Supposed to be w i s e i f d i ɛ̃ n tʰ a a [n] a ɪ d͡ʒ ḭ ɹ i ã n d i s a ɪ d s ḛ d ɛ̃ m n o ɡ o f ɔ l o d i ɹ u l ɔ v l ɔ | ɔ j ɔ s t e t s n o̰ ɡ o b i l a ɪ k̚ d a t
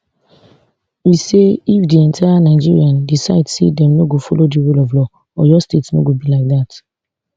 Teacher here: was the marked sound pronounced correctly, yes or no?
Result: yes